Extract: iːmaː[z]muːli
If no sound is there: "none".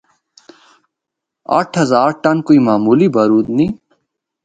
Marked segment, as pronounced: none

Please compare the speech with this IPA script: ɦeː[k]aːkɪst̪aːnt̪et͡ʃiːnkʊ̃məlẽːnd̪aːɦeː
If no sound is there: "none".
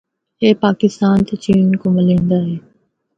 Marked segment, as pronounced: p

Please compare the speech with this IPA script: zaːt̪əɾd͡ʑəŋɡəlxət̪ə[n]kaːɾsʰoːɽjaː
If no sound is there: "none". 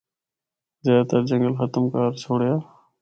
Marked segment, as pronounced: m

